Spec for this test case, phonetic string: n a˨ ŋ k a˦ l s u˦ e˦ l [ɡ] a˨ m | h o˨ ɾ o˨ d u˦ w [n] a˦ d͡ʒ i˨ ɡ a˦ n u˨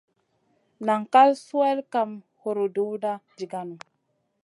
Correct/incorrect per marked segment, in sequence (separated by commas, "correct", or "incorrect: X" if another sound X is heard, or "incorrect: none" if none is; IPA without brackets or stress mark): incorrect: k, incorrect: d